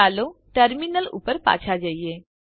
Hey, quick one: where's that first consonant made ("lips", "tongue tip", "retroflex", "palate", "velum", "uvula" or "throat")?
tongue tip